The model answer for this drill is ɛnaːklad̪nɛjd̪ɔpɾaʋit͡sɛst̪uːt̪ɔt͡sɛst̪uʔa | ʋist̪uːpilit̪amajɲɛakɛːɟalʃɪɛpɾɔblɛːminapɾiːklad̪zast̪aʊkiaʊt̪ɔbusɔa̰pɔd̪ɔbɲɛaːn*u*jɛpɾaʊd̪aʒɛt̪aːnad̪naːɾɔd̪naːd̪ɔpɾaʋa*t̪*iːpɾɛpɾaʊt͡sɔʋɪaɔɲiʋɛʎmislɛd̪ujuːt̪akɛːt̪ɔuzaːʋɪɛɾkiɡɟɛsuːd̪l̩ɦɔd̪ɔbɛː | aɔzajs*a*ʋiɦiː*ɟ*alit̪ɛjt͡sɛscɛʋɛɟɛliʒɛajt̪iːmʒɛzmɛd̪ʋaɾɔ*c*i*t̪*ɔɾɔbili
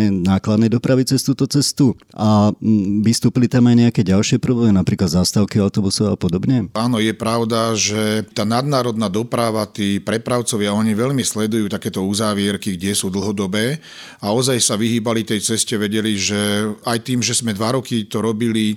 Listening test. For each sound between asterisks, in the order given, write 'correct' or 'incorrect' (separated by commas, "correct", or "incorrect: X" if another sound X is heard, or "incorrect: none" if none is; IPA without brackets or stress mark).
incorrect: ɔ, correct, correct, incorrect: b, incorrect: k, correct